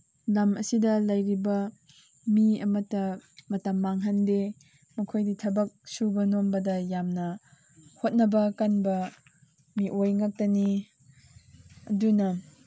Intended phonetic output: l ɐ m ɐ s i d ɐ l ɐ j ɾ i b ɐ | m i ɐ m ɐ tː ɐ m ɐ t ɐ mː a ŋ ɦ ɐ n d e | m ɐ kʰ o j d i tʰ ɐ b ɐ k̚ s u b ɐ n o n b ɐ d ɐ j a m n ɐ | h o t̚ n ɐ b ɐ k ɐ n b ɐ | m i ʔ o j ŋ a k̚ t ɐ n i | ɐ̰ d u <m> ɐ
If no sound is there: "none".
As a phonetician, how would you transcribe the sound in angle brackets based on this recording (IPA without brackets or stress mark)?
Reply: n